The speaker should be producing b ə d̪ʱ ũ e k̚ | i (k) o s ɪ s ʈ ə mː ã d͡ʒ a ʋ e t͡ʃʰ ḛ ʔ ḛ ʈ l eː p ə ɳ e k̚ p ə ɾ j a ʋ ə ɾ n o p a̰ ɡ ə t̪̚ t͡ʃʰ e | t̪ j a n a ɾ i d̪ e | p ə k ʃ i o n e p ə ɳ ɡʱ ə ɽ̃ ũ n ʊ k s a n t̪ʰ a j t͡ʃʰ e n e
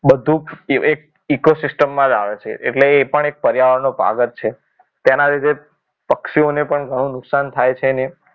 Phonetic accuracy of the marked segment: correct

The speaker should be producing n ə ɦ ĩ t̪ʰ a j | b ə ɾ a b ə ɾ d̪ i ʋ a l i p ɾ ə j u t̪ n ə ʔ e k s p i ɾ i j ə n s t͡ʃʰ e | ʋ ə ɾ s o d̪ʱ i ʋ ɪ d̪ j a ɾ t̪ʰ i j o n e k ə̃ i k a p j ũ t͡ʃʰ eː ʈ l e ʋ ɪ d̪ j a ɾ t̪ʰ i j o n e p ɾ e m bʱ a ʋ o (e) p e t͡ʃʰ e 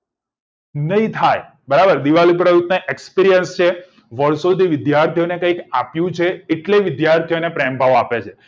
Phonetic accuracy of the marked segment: incorrect: a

